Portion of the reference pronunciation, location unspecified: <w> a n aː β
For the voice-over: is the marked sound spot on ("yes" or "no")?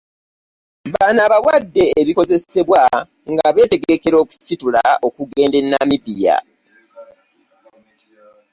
no